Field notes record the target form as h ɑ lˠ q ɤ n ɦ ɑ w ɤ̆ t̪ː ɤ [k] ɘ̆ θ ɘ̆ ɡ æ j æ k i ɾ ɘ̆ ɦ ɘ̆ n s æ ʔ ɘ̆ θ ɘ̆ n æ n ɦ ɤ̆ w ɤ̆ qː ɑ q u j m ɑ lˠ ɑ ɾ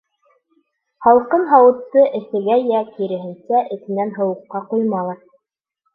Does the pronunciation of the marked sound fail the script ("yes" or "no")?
yes